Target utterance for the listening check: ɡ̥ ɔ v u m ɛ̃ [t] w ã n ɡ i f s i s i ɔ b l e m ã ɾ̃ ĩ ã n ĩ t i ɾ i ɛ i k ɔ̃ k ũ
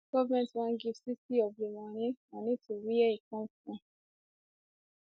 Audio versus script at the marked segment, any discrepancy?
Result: no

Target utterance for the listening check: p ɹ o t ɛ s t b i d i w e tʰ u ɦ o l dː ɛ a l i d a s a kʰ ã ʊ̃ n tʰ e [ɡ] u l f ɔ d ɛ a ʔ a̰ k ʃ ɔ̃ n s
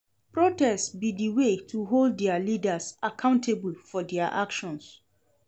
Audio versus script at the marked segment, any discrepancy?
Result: yes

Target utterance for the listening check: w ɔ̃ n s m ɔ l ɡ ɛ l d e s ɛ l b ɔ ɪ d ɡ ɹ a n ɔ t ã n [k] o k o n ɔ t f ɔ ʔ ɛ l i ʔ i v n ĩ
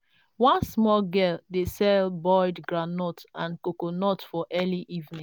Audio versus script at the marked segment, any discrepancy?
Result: no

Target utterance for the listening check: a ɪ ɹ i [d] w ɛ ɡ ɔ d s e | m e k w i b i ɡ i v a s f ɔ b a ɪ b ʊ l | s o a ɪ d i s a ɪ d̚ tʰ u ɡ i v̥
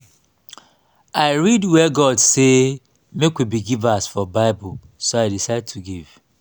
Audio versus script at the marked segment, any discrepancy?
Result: no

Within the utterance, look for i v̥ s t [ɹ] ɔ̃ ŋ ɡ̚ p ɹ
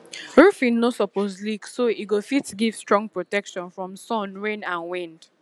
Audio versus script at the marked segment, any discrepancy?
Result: no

